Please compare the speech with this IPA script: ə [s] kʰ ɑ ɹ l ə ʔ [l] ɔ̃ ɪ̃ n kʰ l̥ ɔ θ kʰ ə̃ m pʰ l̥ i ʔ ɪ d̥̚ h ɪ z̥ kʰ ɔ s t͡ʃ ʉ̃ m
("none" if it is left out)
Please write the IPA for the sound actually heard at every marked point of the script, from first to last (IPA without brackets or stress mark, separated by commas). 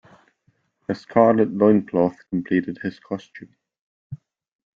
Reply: s, l